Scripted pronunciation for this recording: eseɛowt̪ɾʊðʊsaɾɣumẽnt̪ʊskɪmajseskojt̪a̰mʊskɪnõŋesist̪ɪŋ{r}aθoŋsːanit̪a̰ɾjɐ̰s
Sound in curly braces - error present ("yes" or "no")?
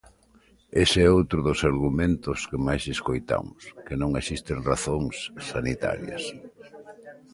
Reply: no